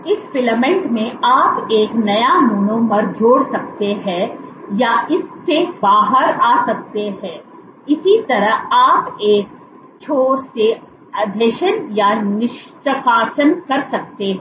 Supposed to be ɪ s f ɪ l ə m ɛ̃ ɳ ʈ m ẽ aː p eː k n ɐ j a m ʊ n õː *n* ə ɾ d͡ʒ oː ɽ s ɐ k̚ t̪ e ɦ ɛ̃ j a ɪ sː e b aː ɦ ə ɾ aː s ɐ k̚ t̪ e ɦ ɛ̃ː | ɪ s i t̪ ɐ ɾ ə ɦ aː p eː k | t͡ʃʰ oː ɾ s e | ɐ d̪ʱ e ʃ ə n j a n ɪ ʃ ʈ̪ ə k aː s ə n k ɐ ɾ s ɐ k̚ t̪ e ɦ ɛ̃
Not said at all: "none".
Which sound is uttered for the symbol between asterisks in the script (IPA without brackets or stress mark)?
m